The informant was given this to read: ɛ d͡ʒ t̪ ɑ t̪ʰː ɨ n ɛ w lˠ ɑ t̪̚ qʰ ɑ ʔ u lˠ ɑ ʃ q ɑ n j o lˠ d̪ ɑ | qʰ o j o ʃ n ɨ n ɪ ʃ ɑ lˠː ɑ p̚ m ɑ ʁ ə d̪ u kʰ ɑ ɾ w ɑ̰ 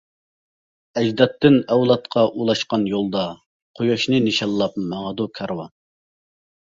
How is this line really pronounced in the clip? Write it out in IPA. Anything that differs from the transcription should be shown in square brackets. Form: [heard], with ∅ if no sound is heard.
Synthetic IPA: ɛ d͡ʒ [d̪] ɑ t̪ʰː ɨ n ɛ w lˠ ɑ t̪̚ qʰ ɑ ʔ u lˠ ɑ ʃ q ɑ n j o lˠ d̪ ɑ | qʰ o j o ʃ n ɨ n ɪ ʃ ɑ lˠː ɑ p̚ m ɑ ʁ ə d̪ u kʰ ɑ ɾ w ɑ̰